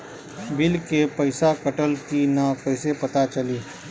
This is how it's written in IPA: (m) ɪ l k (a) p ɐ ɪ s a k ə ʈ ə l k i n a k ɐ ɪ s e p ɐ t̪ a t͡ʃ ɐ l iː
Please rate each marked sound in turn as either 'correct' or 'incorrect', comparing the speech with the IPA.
incorrect, incorrect

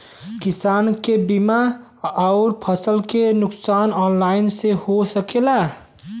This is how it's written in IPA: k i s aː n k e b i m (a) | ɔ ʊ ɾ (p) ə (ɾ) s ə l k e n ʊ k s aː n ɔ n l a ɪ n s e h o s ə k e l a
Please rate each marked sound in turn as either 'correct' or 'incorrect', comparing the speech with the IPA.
correct, incorrect, incorrect

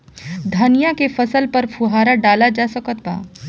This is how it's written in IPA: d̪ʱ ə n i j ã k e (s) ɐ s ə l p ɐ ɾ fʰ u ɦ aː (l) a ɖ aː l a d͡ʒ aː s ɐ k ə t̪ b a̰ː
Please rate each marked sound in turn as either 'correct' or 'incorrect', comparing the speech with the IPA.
incorrect, incorrect

